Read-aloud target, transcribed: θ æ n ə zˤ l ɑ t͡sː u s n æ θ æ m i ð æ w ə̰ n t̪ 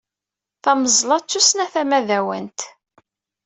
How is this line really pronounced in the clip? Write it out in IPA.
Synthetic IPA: θ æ m ə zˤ l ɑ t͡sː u s n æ θ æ m æ ð æ w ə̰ n t̪